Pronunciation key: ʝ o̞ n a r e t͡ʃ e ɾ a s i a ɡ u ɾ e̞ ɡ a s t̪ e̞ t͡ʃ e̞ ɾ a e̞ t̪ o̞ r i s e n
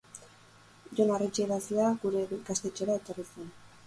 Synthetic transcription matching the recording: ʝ o̞ n a r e t͡ʃ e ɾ a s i a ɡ u ɾ e̞ ɡ a s t̪ e̞ t͡ʃ e̞ ɾ a e̞ t̪ o̞ r i s e n